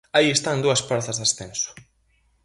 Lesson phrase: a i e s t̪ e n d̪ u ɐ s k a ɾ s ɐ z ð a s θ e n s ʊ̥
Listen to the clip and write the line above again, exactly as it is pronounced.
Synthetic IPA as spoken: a i e s t̪ a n d̪ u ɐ s p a ɾ θ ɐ z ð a s θ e n s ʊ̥